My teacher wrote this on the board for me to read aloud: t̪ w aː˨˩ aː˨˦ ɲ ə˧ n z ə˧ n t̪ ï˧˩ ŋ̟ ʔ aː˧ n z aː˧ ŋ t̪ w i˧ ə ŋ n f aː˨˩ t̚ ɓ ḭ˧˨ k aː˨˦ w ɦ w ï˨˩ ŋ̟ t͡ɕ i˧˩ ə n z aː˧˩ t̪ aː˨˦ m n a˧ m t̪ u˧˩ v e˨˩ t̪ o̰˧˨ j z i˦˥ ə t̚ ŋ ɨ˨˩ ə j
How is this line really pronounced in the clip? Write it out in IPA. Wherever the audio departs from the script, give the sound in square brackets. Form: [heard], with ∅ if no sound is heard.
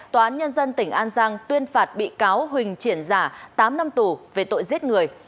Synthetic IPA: t̪ w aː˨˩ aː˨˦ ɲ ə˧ n z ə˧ n t̪ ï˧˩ ŋ̟ ʔ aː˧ n z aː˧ ŋ t̪ w i˧ ə [∅] n f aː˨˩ t̚ ɓ ḭ˧˨ k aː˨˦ w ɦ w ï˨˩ ŋ̟ t͡ɕ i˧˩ ə n z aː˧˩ t̪ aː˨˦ m n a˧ m t̪ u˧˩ v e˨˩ t̪ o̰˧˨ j z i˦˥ ə t̚ ŋ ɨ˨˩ ə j